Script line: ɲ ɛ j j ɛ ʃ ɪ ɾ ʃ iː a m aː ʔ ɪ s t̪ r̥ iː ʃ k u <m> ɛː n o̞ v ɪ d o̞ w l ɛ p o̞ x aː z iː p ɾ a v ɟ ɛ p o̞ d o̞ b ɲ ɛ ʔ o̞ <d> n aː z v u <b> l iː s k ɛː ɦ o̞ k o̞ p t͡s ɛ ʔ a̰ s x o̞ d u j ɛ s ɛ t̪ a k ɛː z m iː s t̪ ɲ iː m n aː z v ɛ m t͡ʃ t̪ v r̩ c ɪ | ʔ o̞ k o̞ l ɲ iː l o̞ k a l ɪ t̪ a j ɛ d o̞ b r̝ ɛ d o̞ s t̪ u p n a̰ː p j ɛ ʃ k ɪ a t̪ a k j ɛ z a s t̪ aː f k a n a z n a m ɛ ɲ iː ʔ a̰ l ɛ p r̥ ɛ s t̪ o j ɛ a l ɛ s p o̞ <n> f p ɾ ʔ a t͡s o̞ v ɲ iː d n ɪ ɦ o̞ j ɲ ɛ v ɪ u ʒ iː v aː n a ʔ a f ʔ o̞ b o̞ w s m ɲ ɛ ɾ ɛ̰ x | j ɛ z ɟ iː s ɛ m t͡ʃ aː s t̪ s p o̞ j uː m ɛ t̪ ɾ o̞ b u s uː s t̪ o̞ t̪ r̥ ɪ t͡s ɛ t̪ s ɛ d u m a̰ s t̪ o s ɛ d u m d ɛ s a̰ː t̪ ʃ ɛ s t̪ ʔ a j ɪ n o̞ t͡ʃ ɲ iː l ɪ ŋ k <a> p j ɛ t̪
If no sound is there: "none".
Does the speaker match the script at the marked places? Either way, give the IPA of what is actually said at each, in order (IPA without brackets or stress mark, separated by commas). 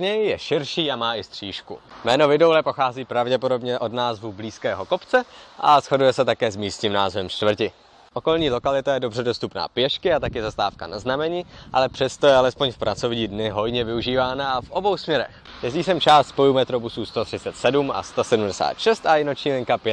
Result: m, d, b, ɲ, a